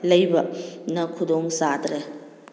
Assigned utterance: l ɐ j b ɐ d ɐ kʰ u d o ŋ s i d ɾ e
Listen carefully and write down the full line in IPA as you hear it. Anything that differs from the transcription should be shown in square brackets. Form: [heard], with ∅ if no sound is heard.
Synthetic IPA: l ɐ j b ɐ [n] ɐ kʰ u d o ŋ s [a] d ɾ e